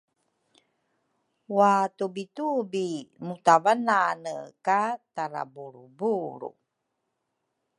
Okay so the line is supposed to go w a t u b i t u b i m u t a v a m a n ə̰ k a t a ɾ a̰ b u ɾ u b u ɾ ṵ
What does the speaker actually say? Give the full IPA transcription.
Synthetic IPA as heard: w a t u b i t u b i m u t a v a n a n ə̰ k a t a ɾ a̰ b u ɾ u b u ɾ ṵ